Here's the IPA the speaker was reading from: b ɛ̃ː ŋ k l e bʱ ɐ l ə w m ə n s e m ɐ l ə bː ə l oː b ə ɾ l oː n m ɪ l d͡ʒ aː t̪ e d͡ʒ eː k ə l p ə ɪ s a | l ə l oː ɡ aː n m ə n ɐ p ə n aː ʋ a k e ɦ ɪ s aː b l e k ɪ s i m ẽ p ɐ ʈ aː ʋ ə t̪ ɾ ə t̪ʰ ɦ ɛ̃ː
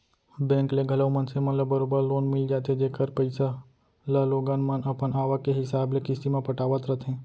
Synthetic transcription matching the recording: b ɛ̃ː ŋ k l e ɡʱ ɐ l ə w m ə n s e m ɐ l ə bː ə ɾ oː b ə ɾ l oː n m ɪ l d͡ʒ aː t̪ e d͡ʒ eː k ə ɾ p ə ɪ s a | l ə l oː ɡ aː n m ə n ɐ p ə n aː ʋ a k e ɦ ɪ s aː b l e k ɪ s i m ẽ p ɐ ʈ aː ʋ ə t̪ ɾ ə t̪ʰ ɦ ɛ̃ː